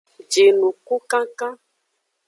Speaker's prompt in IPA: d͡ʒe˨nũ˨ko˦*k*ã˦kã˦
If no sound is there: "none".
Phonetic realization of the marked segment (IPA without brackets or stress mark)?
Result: k